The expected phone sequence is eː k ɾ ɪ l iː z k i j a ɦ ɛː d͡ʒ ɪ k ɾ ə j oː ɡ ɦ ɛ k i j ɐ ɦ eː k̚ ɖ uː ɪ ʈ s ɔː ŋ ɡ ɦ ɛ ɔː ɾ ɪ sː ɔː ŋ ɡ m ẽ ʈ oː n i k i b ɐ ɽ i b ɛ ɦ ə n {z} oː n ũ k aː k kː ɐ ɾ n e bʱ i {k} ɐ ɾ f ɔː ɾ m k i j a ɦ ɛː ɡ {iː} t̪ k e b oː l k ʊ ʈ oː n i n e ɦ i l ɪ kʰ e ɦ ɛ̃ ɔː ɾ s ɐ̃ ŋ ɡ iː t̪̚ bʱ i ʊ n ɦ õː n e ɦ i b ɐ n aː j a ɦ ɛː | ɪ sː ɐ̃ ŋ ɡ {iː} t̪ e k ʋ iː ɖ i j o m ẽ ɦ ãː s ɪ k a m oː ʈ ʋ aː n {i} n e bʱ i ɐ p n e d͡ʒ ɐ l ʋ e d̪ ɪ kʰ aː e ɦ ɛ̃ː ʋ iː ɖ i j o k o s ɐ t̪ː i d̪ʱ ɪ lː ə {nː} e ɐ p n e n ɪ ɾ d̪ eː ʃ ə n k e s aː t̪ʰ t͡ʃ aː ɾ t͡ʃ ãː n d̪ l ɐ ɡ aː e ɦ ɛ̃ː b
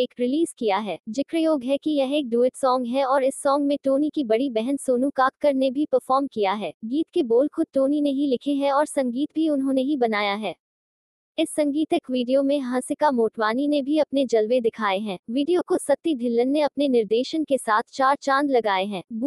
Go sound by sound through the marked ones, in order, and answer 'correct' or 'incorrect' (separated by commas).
incorrect, incorrect, correct, correct, correct, correct